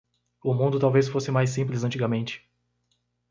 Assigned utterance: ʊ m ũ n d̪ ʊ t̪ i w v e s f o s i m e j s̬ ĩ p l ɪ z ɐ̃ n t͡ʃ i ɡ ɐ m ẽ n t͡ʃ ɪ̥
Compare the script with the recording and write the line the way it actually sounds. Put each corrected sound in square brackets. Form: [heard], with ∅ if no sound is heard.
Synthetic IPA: ʊ m ũ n d̪ ʊ t̪ [a] w v e s f o s [ɪ] m [a] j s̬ ĩ p l ɪ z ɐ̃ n t͡ʃ i ɡ ɐ m ẽ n t͡ʃ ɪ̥